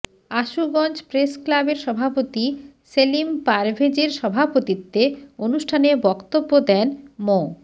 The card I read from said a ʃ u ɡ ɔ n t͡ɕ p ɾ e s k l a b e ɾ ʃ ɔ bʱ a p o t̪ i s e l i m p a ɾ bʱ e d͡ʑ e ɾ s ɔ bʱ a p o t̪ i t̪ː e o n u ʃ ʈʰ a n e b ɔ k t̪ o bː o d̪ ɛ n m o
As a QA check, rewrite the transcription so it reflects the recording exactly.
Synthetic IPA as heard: a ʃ u ɡ ɔ n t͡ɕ p ɾ e s k l a b e ɾ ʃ ɔ bʱ a p o t̪ i s e l i m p a ɾ bʱ e d͡ʑ e ɾ ʃ ɔ bʱ a p o t̪ i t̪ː e o n u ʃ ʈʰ a n e b ɔ k t̪ o bː o d̪ ɛ n m o